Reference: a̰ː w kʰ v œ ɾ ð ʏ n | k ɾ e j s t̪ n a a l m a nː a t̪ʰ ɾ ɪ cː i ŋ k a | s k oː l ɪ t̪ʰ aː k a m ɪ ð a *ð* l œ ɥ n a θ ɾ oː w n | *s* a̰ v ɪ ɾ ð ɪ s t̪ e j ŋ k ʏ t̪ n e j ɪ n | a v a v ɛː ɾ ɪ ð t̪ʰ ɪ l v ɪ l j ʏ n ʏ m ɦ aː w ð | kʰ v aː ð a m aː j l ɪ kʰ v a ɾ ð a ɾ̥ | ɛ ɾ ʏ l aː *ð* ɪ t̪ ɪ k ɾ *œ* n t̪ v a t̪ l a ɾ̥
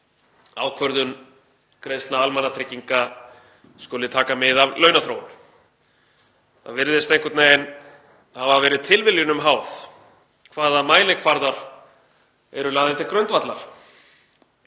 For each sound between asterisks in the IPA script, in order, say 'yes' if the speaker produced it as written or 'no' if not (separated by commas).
no, no, yes, yes